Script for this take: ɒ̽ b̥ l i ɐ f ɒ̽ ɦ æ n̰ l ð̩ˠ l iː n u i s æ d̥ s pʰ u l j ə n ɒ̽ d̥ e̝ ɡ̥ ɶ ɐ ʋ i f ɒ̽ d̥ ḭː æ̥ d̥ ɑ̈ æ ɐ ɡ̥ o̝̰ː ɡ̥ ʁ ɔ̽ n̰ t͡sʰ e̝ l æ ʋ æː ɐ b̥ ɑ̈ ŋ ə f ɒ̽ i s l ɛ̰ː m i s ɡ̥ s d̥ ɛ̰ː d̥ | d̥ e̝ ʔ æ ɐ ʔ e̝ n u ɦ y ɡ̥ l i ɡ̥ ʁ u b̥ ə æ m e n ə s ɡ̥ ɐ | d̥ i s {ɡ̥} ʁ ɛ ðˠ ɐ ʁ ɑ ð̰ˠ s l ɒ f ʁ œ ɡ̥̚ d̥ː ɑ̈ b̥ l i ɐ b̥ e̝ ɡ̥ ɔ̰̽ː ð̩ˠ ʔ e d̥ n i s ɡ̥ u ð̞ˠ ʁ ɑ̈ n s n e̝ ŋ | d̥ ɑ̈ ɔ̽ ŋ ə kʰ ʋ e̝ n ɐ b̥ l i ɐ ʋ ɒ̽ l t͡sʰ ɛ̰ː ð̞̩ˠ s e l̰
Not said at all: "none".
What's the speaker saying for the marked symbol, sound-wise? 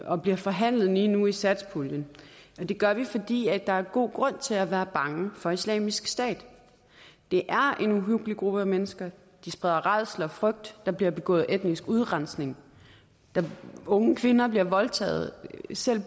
b̥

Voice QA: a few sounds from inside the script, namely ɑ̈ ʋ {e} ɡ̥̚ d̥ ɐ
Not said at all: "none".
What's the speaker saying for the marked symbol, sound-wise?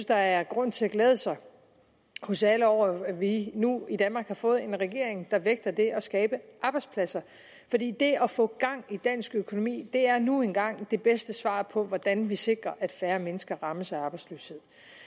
e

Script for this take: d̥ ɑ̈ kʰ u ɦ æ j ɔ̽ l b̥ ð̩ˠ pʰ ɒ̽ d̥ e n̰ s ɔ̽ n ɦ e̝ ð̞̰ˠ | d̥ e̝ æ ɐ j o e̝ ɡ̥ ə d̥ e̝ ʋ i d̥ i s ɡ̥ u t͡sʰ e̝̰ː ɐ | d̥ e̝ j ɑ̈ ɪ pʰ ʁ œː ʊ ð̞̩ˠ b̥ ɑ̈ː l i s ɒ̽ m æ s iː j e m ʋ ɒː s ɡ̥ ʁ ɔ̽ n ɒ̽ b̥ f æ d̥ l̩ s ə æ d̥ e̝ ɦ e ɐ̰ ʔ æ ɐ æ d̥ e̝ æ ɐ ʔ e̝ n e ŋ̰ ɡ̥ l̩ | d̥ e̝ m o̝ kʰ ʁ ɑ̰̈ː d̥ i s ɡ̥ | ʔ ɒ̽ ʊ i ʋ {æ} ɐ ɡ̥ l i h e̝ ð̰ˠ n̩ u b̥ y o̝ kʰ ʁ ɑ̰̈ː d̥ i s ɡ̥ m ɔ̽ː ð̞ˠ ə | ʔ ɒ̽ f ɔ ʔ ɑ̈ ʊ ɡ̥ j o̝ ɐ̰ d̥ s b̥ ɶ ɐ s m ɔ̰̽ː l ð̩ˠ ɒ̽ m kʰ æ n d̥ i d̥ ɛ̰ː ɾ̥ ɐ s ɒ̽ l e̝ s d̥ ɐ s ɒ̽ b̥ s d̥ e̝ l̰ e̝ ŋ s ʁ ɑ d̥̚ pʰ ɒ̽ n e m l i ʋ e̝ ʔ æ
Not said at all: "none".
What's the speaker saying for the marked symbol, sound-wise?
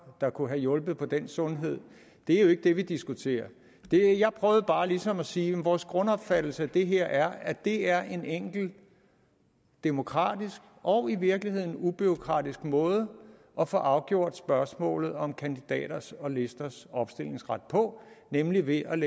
i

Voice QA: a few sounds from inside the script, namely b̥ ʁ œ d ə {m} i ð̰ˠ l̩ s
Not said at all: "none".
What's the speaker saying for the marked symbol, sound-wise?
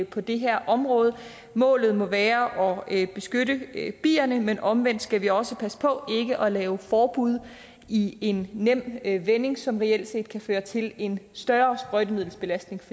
m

